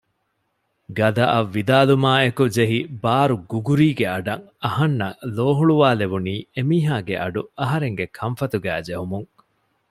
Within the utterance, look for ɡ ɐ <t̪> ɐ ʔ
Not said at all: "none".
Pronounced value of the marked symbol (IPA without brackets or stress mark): d̪